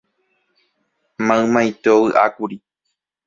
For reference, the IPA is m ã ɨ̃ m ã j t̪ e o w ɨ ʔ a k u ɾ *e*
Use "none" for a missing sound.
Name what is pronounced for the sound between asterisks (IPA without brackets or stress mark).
i